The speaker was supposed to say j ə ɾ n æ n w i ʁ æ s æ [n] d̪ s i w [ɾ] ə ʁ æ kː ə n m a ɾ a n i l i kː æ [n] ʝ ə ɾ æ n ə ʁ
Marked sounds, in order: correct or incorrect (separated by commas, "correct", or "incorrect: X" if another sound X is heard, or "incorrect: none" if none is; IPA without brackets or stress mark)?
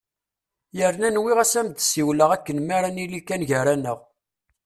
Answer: incorrect: m, incorrect: l, correct